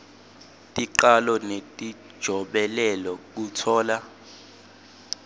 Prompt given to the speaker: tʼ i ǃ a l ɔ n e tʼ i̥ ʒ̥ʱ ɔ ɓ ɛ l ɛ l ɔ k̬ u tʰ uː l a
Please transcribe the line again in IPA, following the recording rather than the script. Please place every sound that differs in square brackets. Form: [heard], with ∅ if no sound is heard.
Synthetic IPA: tʼ i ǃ a l ɔ n e tʼ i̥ ʒ̥ʱ ɔ ɓ ɛ l ɛ l ɔ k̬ u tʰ [ɔː] l a